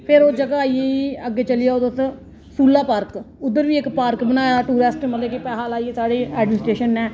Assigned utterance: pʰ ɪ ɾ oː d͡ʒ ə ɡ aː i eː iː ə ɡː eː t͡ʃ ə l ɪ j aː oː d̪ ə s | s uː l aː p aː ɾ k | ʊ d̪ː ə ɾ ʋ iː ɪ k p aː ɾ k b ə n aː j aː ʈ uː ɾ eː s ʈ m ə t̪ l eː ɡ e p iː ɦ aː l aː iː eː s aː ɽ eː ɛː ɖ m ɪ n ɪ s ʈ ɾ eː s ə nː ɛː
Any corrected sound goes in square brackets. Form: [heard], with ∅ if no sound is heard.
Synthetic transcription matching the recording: pʰ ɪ ɾ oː d͡ʒ ə ɡ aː i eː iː ə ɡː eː t͡ʃ ə l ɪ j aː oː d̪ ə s | s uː l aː p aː ɾ k | ʊ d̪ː ə ɾ ʋ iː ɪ k p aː ɾ k b ə n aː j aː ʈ uː ɾ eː s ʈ m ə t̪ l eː [k] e p [ɛː] ɦ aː l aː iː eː s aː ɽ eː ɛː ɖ m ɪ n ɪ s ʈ ɾ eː [ʃ] ə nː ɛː